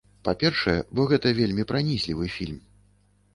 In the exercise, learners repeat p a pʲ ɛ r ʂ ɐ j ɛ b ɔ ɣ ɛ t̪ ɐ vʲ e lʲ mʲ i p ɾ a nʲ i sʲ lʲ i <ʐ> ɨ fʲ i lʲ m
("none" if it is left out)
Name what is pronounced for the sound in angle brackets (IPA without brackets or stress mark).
v